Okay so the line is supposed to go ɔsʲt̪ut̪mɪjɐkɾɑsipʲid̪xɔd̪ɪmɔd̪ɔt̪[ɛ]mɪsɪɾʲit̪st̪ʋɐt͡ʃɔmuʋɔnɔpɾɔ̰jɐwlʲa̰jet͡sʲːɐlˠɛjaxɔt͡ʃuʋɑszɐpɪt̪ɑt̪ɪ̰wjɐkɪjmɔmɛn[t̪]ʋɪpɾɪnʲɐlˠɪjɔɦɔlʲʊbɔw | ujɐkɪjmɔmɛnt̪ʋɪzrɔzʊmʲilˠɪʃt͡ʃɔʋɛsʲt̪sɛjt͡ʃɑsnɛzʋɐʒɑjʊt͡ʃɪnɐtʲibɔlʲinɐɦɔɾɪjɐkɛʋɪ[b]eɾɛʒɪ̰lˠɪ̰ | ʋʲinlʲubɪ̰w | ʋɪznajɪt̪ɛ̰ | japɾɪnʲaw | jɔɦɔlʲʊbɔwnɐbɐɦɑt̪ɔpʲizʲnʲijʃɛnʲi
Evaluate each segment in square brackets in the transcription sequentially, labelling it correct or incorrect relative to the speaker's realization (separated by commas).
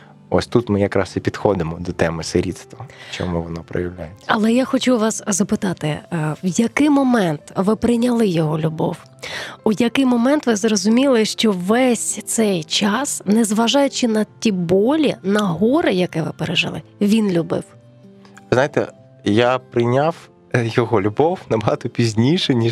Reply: correct, correct, incorrect